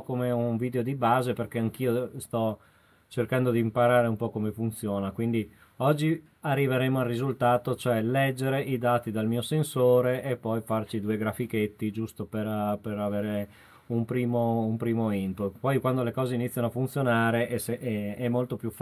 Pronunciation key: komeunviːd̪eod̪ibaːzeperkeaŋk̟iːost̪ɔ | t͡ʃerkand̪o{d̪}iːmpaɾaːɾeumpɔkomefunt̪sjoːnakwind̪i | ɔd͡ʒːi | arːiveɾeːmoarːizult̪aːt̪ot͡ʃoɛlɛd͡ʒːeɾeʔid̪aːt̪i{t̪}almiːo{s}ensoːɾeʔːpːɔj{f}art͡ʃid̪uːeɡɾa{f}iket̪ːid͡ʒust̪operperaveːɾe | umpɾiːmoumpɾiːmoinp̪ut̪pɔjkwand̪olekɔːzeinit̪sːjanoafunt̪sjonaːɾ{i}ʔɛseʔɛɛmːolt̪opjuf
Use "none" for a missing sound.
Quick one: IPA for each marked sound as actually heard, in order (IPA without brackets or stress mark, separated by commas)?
d̪, d̪, s, f, f, e